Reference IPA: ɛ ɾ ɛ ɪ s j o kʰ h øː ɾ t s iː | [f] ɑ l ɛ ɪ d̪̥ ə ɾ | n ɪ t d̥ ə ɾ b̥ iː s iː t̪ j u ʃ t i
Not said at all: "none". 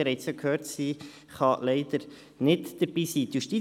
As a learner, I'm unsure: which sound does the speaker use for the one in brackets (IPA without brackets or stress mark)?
χ